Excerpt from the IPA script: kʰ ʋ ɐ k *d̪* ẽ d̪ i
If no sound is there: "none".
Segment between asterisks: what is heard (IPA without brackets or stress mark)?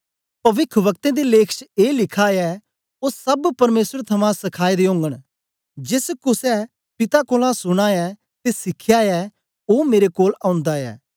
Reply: t̪